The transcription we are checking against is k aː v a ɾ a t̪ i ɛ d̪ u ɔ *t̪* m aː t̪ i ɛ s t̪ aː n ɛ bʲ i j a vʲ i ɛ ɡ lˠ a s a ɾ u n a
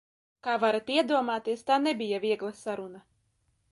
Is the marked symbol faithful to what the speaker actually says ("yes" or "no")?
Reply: no